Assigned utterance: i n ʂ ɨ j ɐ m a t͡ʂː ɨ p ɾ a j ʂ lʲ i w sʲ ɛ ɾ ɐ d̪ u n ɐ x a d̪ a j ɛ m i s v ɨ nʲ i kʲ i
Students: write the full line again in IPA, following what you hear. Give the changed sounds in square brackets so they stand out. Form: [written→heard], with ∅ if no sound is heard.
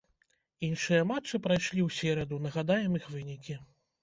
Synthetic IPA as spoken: i n ʂ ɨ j ɐ m a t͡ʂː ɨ p ɾ a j ʂ lʲ i w sʲ ɛ ɾ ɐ d̪ u n ɐ [x→ɣ] a d̪ a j ɛ m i [s→x] v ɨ nʲ i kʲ i